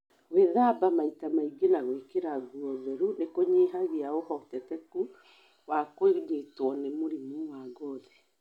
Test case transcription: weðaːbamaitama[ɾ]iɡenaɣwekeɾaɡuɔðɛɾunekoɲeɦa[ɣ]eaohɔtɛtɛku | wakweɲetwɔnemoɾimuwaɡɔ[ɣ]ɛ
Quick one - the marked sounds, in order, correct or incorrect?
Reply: incorrect: none, correct, incorrect: ð

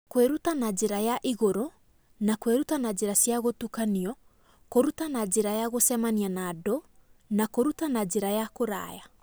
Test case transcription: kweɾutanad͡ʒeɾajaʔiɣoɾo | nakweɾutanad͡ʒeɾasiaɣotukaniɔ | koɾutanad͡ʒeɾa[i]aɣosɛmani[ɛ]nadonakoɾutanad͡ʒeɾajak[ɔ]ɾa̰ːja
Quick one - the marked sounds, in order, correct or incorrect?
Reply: incorrect: j, incorrect: a, incorrect: o

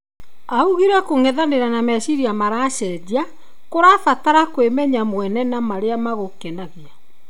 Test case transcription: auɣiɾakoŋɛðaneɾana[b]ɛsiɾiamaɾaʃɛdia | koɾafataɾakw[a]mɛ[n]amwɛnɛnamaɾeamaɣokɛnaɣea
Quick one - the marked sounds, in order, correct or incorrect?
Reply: incorrect: m, incorrect: e, incorrect: ɲ

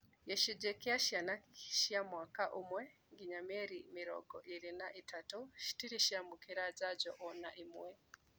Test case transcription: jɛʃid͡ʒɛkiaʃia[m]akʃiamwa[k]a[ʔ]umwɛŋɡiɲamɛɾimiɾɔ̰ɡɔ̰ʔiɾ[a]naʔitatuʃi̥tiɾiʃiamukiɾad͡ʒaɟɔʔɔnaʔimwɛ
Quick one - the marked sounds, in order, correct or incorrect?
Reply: incorrect: n, correct, correct, incorrect: i

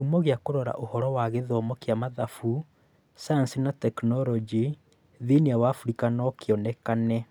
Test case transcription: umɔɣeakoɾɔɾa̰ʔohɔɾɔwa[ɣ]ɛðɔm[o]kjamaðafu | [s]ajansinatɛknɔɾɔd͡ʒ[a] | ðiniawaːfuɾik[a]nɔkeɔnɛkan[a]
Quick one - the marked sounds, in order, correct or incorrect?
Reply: correct, incorrect: ɔ, correct, incorrect: i, correct, incorrect: ɛ

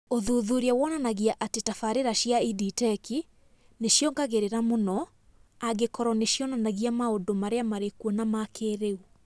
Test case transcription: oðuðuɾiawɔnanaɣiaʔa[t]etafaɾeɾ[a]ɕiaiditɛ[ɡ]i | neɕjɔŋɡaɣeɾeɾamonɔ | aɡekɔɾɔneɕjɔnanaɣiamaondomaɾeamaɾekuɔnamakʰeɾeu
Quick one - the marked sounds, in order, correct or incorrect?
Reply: correct, correct, incorrect: k

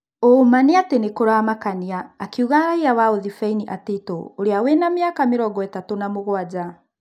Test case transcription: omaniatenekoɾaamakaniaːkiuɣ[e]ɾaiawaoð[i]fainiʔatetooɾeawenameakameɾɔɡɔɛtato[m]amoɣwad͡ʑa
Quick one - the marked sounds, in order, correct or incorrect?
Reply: incorrect: a, correct, incorrect: n

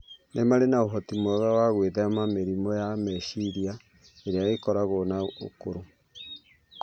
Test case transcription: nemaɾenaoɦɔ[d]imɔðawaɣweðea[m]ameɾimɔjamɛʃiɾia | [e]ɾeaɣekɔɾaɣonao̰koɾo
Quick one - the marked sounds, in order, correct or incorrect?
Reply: incorrect: t, correct, correct

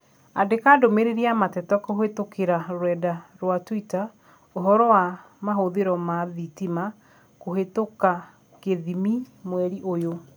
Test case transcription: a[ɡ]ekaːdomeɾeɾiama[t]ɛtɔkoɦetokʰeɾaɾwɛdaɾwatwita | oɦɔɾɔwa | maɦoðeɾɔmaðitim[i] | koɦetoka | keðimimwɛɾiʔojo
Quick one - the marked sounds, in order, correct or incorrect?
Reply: incorrect: d, correct, incorrect: a

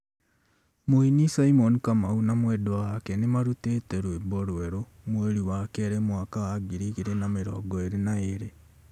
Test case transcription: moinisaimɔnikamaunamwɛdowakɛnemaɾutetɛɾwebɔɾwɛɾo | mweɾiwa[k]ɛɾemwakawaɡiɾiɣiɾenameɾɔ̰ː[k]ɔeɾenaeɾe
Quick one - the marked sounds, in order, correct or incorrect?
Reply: correct, incorrect: ɡ

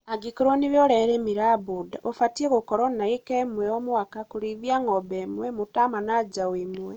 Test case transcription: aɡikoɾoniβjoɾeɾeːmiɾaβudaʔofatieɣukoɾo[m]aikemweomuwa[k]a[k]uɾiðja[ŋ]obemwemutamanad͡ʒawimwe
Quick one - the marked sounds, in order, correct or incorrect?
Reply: incorrect: n, correct, correct, correct

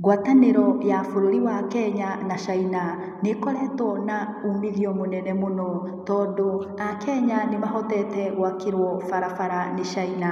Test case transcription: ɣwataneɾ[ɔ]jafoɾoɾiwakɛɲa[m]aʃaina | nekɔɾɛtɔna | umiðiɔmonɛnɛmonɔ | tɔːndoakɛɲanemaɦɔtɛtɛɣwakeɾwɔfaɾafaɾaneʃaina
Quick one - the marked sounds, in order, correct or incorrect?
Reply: correct, incorrect: n

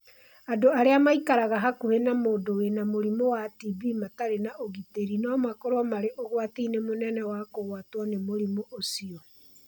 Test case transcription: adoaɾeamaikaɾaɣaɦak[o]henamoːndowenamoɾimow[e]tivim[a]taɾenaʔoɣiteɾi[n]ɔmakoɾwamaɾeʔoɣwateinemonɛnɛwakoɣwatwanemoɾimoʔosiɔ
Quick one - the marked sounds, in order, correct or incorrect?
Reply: correct, incorrect: a, correct, correct

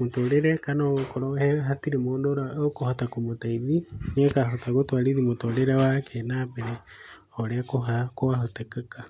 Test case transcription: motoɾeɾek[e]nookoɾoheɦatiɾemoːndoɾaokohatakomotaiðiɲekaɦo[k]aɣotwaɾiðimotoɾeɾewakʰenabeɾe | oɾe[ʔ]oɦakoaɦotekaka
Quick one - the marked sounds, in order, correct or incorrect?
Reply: incorrect: a, incorrect: t, incorrect: k

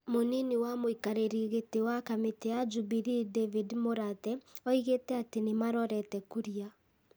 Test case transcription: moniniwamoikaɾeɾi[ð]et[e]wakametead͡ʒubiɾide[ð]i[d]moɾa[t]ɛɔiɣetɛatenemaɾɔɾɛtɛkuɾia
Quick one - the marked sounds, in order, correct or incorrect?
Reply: incorrect: ɣ, correct, incorrect: v, correct, correct

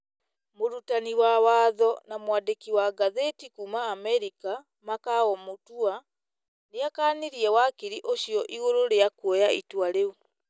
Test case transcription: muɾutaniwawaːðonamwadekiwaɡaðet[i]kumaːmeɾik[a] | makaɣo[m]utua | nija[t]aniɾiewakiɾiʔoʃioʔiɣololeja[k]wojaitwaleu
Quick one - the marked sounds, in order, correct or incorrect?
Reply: correct, correct, correct, incorrect: k, correct

